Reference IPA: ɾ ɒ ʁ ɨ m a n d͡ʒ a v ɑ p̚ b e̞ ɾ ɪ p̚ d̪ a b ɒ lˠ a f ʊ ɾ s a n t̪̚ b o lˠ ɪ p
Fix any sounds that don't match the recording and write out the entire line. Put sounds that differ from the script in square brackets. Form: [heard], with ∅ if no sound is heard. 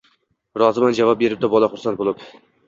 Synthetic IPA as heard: ɾ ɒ [z] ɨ m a n d͡ʒ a v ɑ p̚ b e̞ ɾ ɪ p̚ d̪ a b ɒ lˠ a [χ] ʊ ɾ s a n t̪̚ b o lˠ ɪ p